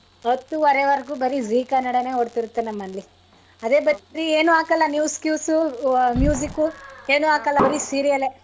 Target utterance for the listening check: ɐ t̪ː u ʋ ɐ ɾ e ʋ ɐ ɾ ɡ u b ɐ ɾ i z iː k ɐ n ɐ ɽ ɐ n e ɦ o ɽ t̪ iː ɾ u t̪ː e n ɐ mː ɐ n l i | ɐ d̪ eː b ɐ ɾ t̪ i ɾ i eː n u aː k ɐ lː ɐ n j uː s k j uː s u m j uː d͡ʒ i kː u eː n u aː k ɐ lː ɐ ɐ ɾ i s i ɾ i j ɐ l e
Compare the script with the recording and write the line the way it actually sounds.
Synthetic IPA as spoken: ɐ t̪ː u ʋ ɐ ɾ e ʋ ɐ ɾ ɡ u b ɐ ɾ i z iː k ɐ n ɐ ɽ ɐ n e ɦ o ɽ t̪ i ɾ u t̪ː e n ɐ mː ɐ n l i | ɐ d̪ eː b ɐ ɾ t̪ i ɾ i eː n u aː k ɐ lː ɐ n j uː s k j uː s u m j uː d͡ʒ i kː u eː n u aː k ɐ lː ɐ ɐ ɾ i s i ɾ i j ɐ l e